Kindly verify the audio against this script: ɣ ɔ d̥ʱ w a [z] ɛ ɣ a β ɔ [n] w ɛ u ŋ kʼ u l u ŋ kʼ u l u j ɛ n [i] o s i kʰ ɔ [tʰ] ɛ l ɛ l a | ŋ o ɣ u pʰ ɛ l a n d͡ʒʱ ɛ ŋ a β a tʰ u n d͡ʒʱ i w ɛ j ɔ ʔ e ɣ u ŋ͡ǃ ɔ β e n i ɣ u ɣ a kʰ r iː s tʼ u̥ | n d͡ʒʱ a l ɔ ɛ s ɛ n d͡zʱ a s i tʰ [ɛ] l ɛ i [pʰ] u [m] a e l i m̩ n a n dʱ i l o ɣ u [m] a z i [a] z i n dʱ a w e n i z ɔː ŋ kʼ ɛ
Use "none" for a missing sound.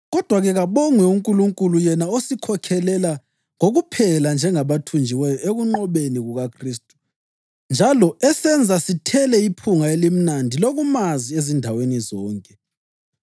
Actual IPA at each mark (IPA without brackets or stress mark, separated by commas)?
ɣ, ŋ, a, kʰ, ɛ, pʰ, ŋ, m, e